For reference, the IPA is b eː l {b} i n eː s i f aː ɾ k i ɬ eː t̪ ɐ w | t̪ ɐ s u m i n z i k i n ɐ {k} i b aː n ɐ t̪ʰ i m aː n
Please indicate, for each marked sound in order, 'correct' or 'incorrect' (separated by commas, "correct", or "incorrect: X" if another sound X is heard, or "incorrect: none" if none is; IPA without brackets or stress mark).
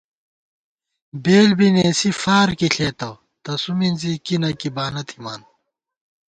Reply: correct, correct